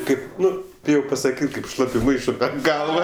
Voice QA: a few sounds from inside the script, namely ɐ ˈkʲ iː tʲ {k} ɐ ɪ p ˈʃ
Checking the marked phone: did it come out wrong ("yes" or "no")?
no